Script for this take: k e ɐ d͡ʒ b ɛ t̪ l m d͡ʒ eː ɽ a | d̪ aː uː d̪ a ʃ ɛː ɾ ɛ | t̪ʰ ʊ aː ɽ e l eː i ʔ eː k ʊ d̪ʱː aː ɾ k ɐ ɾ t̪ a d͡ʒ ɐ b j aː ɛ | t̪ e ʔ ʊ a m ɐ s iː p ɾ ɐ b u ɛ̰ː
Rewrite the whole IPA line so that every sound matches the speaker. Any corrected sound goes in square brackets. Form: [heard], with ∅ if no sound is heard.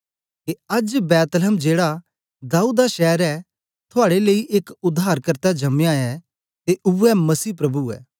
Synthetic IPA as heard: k e ɐ d͡ʒ b [ɛː] t̪ l m d͡ʒ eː ɽ a | d̪ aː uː d̪ a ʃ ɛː ɾ ɛ | t̪ʰ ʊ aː ɽ e l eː i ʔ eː k ʊ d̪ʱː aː ɾ k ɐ ɾ t̪ a d͡ʒ ɐ [m] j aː ɛ | t̪ e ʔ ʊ [ɛ] m ɐ s iː p ɾ ɐ b u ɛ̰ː